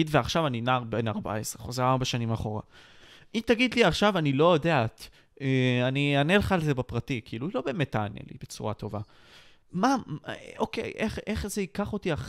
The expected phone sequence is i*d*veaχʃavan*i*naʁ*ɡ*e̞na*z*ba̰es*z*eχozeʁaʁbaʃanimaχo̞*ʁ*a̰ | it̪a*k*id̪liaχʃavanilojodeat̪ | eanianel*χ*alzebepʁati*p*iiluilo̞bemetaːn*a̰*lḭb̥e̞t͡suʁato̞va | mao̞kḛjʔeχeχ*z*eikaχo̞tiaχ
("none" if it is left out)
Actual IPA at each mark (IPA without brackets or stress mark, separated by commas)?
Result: d, i, b, ʁ, ʁ, ʁ, ɡ, χ, k, ḛ, z